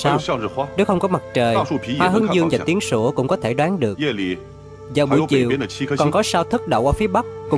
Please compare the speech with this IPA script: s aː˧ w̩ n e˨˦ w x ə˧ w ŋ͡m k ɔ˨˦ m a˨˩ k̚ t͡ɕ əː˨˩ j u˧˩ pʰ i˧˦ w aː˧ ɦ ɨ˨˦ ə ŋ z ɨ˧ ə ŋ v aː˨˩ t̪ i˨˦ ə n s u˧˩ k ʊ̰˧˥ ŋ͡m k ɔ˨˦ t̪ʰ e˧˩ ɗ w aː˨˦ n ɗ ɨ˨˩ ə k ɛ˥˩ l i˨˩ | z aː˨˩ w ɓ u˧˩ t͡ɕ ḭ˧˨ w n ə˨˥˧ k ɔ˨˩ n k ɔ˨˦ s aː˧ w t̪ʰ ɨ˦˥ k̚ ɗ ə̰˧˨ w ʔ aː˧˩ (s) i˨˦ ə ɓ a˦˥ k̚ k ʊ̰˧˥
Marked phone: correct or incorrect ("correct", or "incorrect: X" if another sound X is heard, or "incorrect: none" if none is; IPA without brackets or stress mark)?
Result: incorrect: f